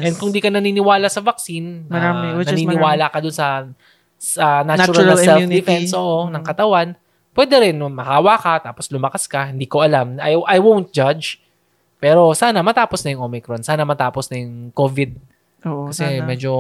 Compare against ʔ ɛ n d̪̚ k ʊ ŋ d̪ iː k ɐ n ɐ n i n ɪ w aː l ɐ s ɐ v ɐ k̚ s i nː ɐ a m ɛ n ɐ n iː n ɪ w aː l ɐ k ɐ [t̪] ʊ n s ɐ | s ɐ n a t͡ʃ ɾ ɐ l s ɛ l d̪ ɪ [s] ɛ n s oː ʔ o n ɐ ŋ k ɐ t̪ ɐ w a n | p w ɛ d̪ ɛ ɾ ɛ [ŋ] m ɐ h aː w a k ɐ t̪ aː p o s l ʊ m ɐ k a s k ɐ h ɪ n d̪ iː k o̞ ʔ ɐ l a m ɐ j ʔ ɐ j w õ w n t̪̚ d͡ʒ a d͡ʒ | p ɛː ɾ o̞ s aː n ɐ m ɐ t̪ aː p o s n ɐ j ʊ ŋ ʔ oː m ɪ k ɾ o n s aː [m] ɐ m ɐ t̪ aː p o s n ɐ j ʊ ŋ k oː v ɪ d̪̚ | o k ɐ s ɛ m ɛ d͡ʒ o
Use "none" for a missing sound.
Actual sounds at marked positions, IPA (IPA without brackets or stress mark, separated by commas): d̪, f, n, n